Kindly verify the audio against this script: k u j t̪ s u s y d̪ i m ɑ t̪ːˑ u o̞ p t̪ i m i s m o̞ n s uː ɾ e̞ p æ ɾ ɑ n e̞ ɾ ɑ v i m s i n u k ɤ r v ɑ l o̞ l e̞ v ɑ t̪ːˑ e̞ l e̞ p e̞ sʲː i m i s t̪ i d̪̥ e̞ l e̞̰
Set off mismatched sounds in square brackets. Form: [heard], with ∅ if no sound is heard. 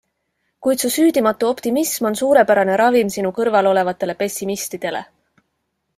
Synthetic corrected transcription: k u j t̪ s u s [yː] d̪ i m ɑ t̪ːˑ u o̞ p t̪ i m i s m o̞ n s uː ɾ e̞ p æ ɾ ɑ n e̞ ɾ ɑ v i m s i n u k ɤ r v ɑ l o̞ l e̞ v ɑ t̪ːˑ e̞ l e̞ p e̞ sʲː i m i s t̪ i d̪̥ e̞ l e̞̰